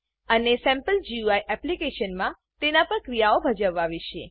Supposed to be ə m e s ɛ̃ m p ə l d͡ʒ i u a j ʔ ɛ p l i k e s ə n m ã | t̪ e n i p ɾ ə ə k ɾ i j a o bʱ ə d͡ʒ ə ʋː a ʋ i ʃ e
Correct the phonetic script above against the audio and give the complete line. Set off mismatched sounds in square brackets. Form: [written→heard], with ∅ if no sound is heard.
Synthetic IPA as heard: ə [m→n] e s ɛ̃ m p ə l d͡ʒ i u a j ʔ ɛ p l i k e [s→ʃ] ə n m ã | t̪ e n [i→a] p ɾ ə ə k ɾ i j a o bʱ ə d͡ʒ ə ʋː a ʋ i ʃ e